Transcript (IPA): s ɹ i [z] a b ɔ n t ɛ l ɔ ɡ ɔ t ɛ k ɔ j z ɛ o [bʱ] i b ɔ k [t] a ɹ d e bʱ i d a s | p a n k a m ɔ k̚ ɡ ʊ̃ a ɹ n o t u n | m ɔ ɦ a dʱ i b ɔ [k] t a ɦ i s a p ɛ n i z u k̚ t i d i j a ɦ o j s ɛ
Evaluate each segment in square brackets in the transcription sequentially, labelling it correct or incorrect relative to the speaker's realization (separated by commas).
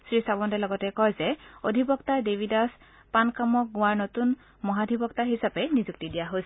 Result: incorrect, incorrect, correct, correct